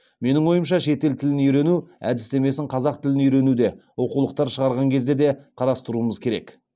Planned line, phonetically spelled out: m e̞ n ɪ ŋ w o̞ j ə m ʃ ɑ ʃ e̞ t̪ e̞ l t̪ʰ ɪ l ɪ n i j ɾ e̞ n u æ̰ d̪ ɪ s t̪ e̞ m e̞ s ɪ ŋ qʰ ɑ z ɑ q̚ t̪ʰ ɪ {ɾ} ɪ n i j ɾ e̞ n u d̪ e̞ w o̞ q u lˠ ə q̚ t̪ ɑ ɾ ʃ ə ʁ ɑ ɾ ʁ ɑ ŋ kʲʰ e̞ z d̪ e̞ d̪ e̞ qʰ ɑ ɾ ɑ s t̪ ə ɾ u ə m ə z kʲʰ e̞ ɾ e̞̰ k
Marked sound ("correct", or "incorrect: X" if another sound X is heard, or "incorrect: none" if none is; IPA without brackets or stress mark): incorrect: l